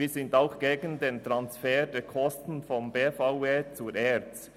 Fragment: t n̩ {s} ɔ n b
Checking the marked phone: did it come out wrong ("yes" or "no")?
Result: yes